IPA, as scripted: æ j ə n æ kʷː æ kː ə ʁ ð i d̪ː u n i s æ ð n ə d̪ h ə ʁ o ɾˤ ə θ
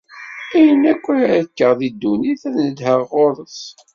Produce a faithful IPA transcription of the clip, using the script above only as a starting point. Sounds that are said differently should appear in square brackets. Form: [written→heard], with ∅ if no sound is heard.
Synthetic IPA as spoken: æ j ə n æ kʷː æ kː ə ʁ ð i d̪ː u n i [s→θ] æ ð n ə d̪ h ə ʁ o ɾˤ ə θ